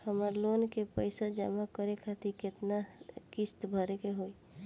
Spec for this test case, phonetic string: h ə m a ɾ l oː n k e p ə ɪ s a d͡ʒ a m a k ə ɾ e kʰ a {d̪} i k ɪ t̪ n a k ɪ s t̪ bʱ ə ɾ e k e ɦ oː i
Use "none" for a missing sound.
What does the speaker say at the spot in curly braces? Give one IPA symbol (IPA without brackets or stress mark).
t̪